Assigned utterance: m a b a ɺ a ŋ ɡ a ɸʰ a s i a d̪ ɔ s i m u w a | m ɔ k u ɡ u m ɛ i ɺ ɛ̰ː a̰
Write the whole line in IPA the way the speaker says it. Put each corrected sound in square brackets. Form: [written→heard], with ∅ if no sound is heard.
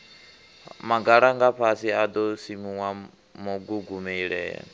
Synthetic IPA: m a [b→ɡ] a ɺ a ŋ ɡ a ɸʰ a s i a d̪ ɔ s i m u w a | m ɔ [k→ɡ] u ɡ u m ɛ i ɺ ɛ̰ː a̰